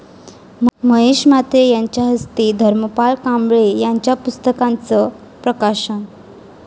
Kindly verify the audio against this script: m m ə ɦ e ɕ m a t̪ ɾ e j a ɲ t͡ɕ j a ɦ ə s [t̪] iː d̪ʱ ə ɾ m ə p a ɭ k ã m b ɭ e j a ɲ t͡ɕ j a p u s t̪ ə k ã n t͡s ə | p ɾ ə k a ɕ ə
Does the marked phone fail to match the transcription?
no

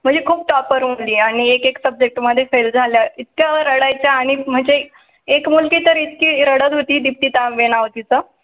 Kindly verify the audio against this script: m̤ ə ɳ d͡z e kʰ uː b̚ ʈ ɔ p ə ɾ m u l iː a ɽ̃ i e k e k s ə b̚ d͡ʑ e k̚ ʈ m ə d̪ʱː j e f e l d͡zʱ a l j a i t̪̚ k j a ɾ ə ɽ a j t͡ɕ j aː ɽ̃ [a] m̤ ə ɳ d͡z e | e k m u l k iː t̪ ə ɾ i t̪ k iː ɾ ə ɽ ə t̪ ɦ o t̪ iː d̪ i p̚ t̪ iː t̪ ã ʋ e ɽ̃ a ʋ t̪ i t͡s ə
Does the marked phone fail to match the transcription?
yes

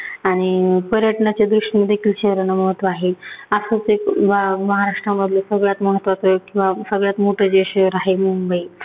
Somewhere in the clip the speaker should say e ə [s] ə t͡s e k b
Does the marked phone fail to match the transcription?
no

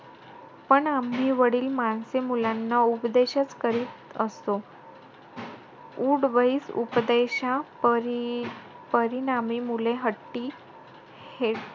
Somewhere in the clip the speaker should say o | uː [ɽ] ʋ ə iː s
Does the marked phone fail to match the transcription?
no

